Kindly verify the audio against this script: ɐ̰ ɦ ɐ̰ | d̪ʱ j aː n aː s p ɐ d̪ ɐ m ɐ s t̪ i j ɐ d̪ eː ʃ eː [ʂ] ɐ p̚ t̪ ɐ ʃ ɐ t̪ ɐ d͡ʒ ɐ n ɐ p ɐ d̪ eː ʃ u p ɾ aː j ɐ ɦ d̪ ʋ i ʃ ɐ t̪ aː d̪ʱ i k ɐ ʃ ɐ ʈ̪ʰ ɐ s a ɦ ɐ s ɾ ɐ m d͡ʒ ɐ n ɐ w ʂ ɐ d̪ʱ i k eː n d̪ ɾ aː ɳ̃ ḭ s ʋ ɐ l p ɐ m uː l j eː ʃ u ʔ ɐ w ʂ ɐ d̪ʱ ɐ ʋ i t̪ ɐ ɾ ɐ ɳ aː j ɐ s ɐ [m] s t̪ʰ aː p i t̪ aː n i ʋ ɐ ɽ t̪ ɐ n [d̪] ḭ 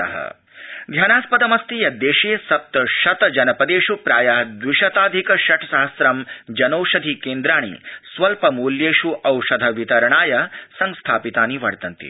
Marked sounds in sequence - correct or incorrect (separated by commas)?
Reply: incorrect, incorrect, incorrect